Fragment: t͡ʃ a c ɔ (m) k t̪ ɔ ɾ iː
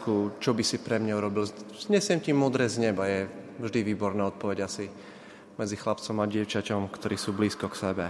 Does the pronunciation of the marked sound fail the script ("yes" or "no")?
no